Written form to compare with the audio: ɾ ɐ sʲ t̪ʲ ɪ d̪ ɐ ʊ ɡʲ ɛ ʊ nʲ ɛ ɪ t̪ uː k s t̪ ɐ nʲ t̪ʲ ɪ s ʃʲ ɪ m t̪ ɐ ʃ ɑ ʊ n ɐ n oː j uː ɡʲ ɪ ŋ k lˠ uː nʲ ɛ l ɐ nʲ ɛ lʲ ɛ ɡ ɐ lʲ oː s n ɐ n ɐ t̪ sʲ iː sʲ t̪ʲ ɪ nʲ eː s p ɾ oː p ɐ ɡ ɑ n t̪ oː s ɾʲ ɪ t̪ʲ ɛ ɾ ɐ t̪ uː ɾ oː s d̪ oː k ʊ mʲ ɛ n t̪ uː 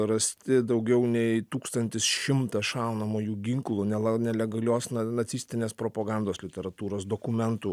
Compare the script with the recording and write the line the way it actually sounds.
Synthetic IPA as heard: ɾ ɐ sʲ t̪ʲ ɪ d̪ ɐ ʊ ɡʲ ɛ ʊ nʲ ɛ ɪ t̪ uː k s t̪ ɐ nʲ t̪ʲ ɪ s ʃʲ ɪ m t̪ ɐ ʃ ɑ ʊ n ɐ m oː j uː ɡʲ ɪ ŋ k lˠ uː nʲ ɛ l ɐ nʲ ɛ lʲ ɛ ɡ ɐ lʲ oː s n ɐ n ɐ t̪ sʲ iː sʲ t̪ʲ ɪ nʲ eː s p ɾ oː p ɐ ɡ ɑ n d̪ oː s lʲ ɪ t̪ʲ ɛ ɾ ɐ t̪ uː ɾ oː s d̪ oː k ʊ mʲ ɛ n t̪ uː